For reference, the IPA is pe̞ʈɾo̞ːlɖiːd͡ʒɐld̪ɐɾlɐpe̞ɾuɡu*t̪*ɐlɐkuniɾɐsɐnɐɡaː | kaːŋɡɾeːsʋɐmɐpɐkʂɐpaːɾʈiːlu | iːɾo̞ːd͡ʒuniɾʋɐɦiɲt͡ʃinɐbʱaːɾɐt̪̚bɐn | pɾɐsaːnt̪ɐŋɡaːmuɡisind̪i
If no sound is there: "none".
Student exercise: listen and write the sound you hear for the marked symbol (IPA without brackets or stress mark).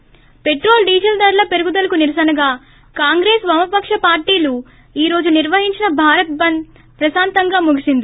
d̪